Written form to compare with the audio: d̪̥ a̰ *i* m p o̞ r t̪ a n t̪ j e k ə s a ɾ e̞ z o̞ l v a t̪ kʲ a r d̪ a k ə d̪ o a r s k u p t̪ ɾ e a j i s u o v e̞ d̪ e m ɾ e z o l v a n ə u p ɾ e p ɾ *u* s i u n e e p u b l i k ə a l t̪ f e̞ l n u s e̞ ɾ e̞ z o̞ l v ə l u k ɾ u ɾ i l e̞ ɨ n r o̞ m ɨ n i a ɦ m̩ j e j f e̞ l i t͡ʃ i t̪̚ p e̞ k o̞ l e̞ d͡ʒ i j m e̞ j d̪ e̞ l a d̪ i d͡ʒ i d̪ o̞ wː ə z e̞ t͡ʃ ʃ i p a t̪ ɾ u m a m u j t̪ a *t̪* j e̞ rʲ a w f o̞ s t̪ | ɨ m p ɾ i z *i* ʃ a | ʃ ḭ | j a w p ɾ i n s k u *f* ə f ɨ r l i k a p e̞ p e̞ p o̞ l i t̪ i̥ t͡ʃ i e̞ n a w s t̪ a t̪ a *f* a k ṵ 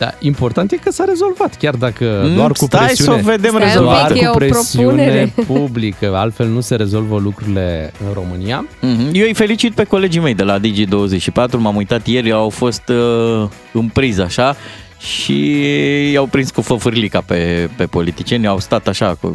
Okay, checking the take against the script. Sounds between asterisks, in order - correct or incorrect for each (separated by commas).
correct, incorrect, correct, incorrect, correct, incorrect